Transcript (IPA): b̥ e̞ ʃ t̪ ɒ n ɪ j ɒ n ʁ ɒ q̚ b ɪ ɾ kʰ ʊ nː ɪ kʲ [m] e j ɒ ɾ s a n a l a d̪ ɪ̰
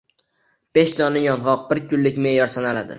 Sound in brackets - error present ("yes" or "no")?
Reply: no